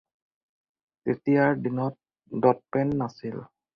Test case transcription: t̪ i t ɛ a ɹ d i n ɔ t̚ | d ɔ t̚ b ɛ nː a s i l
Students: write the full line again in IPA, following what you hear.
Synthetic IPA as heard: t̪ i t i a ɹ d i n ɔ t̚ | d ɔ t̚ p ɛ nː a s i l

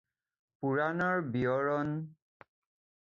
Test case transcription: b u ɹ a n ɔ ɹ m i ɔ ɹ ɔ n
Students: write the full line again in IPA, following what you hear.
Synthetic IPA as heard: p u ɹ a n ɔ ɹ b i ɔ ɹ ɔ n

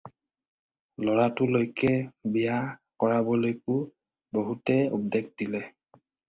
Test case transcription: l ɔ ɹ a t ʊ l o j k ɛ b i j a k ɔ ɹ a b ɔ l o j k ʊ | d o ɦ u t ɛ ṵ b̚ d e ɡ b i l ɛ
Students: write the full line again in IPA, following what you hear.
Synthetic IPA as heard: l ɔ ɹ a t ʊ l o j k ɛ b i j a k ɔ ɹ a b ɔ l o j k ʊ | b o ɦ u t ɛ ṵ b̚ d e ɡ d i l ɛ

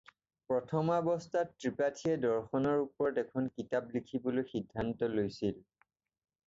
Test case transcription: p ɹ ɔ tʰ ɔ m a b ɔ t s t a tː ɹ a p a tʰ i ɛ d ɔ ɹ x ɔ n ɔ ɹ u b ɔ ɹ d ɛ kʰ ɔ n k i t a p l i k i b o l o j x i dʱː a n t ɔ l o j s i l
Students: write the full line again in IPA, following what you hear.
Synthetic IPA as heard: p ɹ ɔ tʰ ɔ m a b ɔ s t a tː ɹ i p a tʰ i ɛ d ɔ ɹ x ɔ n ɔ ɹ u p ɔ ɹ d ɛ kʰ ɔ n k i t a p l i kʰ i b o l o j x i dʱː a n t ɔ l o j s i l

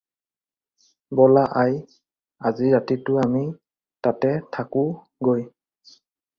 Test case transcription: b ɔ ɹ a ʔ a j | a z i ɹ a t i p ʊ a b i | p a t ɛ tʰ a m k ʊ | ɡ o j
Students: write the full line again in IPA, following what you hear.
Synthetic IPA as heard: b ɔ l a ʔ a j | a z i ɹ a t i t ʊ a m i | t a t ɛ tʰ a k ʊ | ɡ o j

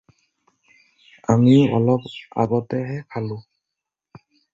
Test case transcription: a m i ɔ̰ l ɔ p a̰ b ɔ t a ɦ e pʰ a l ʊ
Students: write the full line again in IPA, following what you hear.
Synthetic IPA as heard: a m i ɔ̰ l ɔ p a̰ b ɔ t ɛ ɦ ɛ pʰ a l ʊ

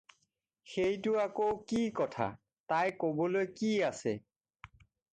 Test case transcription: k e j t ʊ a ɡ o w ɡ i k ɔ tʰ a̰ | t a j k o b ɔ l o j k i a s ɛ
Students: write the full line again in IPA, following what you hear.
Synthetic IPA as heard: x e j t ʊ a k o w k i k ɔ tʰ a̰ | t a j k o b ɔ l o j k i a s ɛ

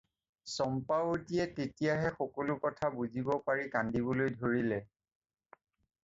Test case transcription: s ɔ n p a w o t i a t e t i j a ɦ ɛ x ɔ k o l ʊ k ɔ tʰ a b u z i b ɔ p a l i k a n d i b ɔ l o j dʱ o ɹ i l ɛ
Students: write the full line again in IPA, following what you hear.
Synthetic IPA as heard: s ɔ m p a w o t i ɛ t e t i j a ɦ ɛ x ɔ k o l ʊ k ɔ tʰ a b u z i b ɔ p a ɹ i k a n d i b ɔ l o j dʱ o ɹ i l ɛ

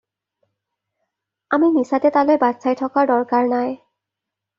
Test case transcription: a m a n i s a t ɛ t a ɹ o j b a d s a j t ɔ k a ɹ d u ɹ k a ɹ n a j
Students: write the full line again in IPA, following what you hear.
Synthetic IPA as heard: a m i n i s a t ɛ t a l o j b a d s a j tʰ ɔ k a ɹ d ɔ ɹ k a ɹ n a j

